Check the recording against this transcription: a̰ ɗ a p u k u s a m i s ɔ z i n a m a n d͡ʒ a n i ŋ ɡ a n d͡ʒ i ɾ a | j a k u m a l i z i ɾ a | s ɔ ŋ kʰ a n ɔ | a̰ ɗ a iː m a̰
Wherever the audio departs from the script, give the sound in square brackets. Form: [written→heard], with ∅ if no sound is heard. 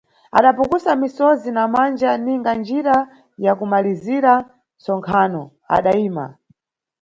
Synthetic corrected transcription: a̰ ɗ a p u k u s a m i s ɔ z i n a m a n d͡ʒ a n i ŋ ɡ a n d͡ʒ i ɾ a | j a k u m a l i z i ɾ a | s ɔ ŋ kʰ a n ɔ | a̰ ɗ a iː m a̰